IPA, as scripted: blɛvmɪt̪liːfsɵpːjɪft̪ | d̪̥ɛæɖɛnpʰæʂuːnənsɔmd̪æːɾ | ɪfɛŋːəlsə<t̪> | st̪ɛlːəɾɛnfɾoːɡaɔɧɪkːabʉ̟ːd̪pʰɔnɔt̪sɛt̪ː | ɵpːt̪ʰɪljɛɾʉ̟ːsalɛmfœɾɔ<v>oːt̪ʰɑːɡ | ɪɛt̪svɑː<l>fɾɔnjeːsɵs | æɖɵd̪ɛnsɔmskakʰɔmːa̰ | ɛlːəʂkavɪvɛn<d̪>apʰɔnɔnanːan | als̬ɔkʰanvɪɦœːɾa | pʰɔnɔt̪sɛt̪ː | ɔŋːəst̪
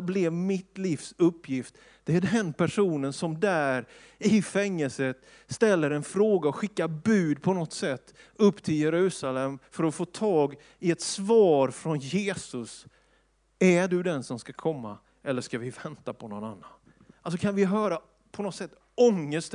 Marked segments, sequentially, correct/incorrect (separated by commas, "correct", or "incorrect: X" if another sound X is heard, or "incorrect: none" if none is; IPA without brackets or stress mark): correct, incorrect: f, incorrect: ɾ, incorrect: t̪